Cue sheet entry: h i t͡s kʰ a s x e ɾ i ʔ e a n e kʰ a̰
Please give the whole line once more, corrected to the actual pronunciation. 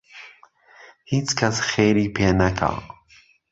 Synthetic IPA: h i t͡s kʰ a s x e ɾ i p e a n a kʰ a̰